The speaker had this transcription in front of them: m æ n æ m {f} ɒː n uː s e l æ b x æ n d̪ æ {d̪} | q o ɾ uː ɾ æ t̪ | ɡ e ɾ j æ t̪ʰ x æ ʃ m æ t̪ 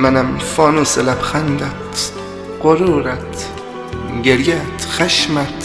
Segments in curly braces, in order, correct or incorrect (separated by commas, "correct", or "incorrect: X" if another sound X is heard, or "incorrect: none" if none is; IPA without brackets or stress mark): correct, incorrect: t̪